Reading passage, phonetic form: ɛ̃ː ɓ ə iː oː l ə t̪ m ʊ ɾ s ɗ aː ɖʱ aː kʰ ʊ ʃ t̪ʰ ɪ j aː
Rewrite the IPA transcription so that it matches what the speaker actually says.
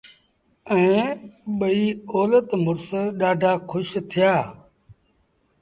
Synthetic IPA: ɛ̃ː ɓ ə iː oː l ə t̪ m ʊ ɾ s ɗ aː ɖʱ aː kʰ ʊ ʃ t̪ʰ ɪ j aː